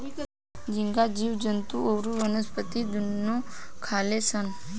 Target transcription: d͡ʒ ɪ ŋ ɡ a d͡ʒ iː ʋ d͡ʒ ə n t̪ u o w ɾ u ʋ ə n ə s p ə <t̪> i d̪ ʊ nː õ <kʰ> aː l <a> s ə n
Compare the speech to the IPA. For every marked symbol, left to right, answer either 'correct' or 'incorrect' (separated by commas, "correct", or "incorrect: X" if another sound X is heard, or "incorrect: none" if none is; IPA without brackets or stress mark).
correct, correct, incorrect: e